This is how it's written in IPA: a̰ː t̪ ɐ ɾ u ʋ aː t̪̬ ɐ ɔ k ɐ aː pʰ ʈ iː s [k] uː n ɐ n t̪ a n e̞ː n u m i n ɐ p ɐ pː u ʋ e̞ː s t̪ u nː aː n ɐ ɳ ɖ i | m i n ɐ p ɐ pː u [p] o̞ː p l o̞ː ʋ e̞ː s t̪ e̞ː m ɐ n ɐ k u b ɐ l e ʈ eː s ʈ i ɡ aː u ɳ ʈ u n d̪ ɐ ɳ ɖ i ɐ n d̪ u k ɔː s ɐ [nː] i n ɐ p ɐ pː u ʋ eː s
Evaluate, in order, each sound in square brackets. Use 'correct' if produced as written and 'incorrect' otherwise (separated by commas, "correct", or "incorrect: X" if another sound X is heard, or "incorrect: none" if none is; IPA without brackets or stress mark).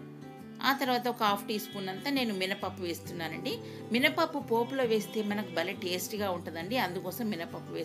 incorrect: p, correct, incorrect: mː